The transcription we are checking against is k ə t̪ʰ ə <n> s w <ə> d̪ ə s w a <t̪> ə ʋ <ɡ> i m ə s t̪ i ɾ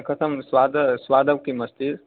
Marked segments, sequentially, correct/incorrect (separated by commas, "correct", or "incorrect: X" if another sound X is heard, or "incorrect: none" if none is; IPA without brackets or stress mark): incorrect: m, incorrect: a, incorrect: d̪, incorrect: k